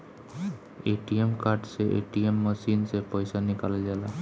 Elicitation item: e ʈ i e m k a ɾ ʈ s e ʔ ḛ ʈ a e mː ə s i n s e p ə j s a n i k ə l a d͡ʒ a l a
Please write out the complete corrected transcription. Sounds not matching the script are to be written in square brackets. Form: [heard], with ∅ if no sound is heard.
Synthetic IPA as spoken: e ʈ i e m k a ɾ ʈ s e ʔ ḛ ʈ [i] e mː ə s i n s e p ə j s a n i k [a] l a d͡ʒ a l a